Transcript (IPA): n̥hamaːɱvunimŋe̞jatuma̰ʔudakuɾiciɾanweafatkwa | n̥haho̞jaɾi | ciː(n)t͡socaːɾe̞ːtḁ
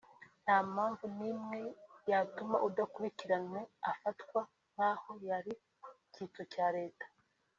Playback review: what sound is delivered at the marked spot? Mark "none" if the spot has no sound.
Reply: none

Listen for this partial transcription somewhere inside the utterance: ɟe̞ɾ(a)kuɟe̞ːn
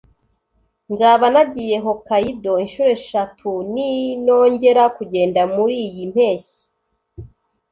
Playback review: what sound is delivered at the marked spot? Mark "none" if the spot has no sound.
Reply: a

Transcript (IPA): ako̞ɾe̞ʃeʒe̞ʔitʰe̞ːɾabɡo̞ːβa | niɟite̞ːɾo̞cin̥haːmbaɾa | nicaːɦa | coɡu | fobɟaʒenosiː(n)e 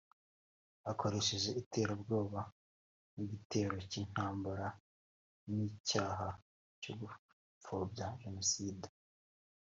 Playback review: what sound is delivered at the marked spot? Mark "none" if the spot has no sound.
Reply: d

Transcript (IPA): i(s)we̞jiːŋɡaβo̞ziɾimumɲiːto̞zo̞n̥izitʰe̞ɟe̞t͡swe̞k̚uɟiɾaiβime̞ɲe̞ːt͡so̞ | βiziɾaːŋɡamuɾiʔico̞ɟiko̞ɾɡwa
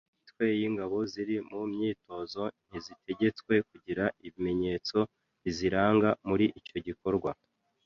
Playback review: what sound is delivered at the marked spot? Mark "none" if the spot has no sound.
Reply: t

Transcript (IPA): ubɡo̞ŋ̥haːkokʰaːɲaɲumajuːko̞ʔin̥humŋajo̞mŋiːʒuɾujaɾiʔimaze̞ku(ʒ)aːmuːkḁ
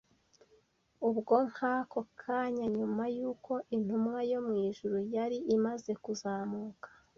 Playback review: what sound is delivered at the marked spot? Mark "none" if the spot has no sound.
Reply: z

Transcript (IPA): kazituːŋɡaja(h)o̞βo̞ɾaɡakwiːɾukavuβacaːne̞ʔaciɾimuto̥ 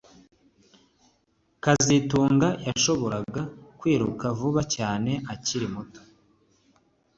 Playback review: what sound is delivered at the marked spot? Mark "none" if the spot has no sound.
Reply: ʃ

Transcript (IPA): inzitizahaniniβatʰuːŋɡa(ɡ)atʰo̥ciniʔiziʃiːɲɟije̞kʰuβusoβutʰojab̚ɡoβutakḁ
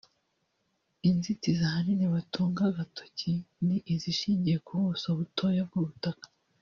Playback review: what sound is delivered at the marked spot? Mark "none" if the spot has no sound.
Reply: ɡ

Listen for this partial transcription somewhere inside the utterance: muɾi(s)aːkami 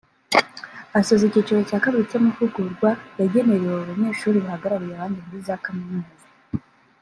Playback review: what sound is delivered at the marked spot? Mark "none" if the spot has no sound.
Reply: z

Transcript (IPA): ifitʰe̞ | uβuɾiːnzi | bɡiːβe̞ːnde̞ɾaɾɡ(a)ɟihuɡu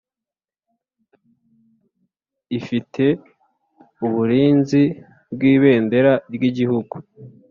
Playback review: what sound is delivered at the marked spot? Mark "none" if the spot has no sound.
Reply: i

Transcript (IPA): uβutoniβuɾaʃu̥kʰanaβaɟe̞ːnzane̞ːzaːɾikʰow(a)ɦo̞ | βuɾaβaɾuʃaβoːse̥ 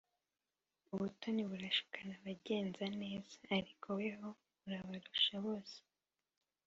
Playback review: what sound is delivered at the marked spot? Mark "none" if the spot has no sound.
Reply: e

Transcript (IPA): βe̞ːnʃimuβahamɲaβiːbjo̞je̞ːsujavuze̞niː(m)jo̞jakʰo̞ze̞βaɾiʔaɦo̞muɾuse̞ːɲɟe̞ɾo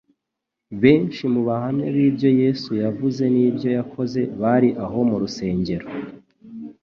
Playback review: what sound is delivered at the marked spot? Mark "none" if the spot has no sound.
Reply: b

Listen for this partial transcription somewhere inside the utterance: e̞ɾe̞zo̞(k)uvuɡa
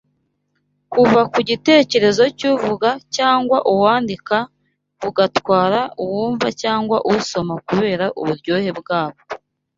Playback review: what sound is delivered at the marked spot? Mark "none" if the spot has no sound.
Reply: c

